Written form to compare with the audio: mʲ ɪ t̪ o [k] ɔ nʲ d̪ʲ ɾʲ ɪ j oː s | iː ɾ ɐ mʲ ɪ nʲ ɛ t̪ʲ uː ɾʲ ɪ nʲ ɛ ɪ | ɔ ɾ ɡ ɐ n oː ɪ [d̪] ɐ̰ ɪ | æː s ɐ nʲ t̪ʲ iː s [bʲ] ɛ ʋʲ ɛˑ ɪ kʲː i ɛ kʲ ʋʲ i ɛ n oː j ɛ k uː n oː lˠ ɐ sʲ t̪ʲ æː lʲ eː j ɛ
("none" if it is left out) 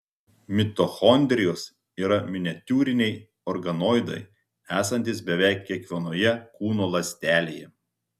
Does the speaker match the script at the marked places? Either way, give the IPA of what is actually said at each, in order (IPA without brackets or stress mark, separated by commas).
x, d̪, bʲ